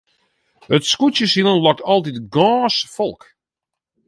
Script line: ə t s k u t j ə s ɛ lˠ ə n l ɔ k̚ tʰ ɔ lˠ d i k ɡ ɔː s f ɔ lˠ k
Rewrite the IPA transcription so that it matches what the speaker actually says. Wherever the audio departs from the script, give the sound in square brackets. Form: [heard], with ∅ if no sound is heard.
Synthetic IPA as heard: ə t s k u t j ə s [i] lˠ ə n l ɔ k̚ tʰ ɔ lˠ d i [t] ɡ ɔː s f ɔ lˠ k